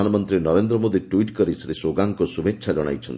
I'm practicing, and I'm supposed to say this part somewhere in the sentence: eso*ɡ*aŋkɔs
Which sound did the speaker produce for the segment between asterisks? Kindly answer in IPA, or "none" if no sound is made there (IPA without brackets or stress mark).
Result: ɡ